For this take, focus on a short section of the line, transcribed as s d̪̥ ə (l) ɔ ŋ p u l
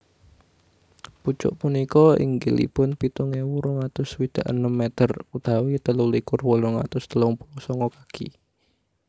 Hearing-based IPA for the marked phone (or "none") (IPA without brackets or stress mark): l